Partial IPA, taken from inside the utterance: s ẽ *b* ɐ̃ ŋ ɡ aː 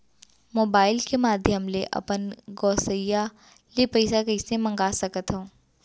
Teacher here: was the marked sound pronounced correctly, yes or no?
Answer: no